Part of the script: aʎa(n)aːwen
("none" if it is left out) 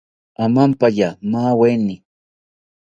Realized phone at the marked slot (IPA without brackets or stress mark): m